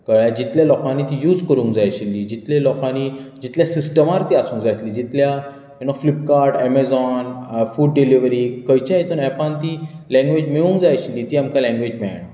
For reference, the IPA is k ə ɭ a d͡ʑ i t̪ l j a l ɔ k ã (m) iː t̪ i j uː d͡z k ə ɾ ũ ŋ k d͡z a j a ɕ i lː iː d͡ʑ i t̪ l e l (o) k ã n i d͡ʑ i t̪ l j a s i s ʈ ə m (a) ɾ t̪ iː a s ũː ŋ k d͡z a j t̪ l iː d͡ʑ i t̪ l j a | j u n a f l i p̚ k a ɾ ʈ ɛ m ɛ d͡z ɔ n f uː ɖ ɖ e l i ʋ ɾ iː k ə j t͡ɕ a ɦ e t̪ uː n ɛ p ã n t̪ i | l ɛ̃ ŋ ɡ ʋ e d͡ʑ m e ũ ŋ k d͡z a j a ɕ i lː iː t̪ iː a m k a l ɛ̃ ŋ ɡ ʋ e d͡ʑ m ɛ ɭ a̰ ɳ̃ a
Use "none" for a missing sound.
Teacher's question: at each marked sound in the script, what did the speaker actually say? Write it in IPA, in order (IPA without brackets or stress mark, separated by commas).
n, ɔ, a